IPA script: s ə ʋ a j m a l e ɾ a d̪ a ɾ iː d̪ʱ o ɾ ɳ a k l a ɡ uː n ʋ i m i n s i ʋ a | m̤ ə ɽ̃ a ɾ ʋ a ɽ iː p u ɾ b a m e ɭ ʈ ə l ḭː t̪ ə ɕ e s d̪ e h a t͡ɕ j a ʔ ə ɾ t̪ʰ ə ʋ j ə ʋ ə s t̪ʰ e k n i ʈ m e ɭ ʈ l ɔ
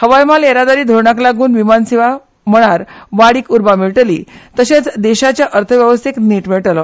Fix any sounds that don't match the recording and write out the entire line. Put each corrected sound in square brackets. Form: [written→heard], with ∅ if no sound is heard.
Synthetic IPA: [s→h] ə ʋ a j m a l e ɾ a d̪ a ɾ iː d̪ʱ o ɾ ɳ a k l a ɡ uː n ʋ i m [i→a] n s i ʋ a | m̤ ə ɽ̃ a ɾ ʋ a ɽ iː [p→k] u ɾ b a m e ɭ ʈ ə l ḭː t̪ ə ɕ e [s→t͡s] d̪ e [h→ɕ] a t͡ɕ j a ʔ ə ɾ t̪ʰ ə ʋ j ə ʋ ə s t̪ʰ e k n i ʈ m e ɭ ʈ l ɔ